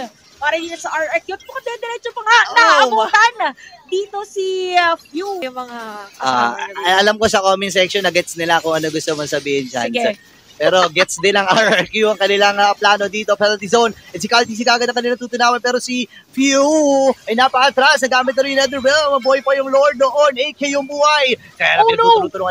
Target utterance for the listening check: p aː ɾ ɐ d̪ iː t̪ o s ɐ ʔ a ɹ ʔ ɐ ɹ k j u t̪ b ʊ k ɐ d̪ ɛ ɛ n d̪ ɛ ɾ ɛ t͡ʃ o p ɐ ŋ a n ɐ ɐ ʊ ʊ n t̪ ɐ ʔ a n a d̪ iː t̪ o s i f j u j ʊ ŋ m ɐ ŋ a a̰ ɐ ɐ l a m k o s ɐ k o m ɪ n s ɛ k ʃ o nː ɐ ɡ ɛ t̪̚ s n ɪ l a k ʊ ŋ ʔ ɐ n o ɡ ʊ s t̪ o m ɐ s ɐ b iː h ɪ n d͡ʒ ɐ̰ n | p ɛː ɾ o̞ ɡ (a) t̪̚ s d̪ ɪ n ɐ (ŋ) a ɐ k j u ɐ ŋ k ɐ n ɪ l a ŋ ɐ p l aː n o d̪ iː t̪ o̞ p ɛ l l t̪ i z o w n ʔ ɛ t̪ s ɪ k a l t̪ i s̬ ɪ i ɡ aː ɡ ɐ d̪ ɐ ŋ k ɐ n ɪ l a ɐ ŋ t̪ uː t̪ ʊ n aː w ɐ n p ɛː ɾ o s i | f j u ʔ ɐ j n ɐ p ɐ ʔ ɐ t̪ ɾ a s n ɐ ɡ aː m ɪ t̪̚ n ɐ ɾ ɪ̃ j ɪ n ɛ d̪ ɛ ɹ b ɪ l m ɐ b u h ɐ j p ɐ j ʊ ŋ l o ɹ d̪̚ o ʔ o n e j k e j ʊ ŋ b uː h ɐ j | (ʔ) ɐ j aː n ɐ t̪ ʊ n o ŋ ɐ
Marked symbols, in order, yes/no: no, yes, no

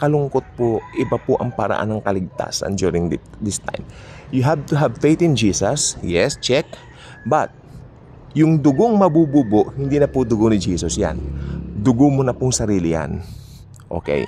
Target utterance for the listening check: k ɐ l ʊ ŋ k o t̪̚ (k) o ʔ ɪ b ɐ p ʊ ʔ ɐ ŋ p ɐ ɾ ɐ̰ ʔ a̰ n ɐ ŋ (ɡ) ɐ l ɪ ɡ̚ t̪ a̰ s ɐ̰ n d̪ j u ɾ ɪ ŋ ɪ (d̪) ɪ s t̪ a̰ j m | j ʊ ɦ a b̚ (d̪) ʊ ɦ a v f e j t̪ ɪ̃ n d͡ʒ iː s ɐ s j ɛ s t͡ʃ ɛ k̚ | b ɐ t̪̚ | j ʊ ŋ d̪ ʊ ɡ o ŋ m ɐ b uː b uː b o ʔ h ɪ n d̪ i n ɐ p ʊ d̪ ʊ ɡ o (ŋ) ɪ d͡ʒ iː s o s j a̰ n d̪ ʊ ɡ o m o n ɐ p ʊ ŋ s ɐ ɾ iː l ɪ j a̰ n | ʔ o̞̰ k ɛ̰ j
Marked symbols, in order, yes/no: no, no, yes, no, no

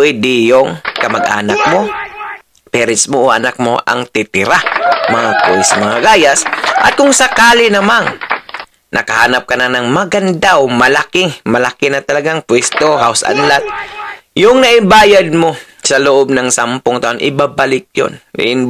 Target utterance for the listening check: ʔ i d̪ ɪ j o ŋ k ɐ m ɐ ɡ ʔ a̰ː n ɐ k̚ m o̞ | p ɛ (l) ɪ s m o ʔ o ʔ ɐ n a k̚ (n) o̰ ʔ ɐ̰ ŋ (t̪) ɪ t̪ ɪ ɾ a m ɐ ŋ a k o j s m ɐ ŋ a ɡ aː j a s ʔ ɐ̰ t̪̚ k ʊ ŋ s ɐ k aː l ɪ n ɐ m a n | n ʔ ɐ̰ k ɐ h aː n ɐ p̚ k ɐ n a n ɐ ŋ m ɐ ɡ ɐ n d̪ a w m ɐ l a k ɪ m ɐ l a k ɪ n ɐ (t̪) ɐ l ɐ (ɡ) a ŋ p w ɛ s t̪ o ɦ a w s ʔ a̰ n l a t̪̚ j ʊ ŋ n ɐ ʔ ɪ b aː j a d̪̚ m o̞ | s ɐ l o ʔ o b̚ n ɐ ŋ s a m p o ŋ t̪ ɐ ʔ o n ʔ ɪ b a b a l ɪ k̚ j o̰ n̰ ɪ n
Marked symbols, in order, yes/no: no, no, yes, yes, yes

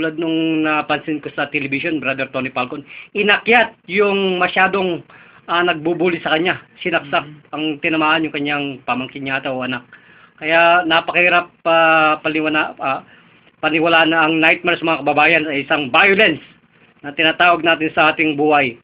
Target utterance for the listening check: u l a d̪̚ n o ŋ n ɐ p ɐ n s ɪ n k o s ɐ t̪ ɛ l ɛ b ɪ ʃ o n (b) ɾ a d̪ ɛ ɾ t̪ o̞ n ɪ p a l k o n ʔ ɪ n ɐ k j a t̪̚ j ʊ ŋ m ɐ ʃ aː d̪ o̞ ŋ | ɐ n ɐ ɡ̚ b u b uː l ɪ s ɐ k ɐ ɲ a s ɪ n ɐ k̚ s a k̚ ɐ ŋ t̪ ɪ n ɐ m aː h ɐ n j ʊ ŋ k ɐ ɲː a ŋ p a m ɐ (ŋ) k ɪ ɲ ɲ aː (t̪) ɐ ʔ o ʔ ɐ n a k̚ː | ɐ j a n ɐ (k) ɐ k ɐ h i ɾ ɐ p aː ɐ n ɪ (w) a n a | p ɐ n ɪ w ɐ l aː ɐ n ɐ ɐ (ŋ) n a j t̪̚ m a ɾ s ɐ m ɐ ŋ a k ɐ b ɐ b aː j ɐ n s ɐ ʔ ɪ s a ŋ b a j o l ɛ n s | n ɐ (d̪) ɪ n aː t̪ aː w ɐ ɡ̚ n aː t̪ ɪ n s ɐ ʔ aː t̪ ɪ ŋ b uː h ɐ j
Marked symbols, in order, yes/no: yes, yes, yes, no, yes, yes, no

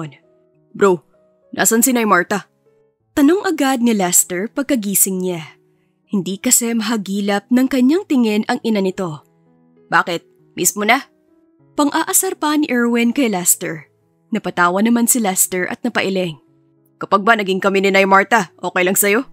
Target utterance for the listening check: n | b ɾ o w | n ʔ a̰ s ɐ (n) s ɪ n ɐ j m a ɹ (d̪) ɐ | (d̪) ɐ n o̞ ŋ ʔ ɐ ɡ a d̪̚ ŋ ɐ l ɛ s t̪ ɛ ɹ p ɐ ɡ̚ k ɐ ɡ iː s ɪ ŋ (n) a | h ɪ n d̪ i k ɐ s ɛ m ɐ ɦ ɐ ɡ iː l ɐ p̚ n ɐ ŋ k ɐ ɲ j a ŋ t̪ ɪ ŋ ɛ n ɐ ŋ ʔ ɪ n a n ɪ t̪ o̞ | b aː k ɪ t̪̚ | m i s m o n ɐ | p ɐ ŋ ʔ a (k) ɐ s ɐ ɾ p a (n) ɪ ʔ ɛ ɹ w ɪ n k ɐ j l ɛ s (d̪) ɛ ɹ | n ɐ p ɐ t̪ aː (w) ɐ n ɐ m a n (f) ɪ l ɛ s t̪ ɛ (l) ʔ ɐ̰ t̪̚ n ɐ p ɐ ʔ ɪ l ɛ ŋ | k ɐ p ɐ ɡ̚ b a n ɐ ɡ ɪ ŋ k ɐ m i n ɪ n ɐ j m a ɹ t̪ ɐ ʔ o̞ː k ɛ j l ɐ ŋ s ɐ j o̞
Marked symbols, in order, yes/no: yes, no, no, no, no, yes, no, yes, no, no

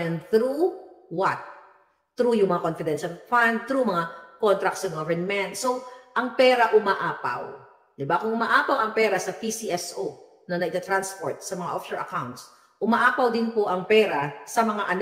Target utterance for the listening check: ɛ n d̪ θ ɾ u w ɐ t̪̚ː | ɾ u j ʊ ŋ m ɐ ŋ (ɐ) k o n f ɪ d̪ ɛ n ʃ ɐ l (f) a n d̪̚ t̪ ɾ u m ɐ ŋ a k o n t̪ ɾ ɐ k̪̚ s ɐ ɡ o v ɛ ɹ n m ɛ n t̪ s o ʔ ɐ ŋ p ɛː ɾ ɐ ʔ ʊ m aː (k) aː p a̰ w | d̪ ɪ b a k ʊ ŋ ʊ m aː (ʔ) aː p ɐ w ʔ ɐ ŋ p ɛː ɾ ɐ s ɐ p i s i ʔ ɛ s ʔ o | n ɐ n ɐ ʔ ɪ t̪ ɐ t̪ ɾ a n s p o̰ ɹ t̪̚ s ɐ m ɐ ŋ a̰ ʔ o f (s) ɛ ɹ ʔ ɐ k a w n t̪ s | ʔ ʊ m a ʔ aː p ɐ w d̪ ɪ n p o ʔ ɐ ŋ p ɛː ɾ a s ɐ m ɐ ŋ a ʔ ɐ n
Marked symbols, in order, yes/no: no, yes, no, yes, no

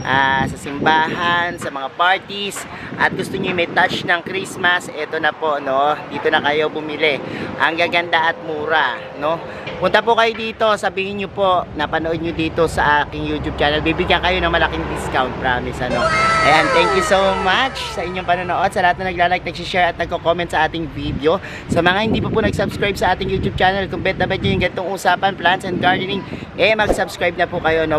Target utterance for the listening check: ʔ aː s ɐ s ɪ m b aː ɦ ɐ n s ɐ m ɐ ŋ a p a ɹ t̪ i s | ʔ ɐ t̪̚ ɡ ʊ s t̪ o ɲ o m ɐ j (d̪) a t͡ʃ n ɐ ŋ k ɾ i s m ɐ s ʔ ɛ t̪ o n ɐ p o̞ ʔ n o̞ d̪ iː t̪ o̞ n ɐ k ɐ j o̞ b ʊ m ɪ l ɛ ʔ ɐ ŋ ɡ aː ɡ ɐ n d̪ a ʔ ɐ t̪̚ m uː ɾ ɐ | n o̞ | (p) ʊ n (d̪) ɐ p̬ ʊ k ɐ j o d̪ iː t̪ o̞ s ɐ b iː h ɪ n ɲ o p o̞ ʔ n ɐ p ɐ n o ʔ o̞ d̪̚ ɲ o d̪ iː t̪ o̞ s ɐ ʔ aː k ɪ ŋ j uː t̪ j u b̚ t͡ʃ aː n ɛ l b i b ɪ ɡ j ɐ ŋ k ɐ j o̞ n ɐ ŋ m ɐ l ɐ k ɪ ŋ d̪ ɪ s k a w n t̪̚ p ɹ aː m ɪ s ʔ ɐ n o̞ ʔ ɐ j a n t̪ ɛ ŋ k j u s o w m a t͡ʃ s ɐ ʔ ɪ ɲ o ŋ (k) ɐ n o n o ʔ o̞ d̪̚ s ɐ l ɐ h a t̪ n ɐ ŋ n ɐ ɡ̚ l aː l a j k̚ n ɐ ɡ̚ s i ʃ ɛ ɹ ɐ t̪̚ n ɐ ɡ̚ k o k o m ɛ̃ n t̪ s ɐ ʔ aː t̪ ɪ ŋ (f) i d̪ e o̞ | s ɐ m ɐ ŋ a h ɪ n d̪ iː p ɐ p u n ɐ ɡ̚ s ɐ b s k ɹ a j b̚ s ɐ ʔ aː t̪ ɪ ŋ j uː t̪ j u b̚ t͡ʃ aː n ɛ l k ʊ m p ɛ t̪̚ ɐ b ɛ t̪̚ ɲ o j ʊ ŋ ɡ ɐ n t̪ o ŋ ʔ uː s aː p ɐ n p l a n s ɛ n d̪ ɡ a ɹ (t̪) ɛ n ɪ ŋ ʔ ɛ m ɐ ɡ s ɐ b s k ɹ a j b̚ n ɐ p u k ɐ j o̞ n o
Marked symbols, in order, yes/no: no, yes, no, no, no, no

